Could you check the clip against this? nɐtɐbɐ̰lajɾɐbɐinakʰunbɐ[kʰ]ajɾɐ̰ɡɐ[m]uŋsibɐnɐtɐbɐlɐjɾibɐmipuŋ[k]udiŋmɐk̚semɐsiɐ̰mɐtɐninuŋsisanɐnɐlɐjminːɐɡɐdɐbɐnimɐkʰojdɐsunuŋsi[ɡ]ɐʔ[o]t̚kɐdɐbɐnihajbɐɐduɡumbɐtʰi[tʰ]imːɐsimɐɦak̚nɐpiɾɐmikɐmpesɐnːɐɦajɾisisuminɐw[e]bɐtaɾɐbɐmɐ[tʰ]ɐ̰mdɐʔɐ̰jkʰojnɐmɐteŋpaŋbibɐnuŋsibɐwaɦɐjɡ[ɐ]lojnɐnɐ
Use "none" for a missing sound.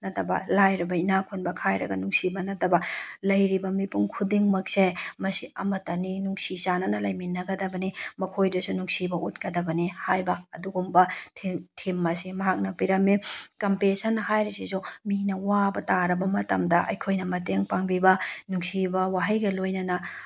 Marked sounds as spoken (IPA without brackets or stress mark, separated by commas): kʰ, n, kʰ, b, u, tʰ, a, t, ɐ